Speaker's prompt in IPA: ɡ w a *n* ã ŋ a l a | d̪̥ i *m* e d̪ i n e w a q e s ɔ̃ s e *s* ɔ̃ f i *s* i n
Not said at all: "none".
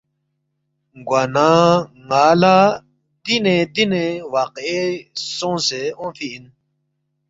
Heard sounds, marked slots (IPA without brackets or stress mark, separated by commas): n, n, none, none